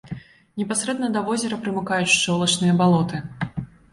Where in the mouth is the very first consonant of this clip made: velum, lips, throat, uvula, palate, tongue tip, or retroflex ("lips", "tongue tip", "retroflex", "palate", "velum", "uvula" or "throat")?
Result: tongue tip